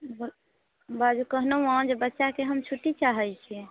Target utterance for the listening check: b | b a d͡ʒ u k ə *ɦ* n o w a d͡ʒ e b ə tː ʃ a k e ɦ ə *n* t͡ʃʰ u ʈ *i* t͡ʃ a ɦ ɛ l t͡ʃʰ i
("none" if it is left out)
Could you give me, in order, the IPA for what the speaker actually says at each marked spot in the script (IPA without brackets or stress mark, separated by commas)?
ɦ, m, i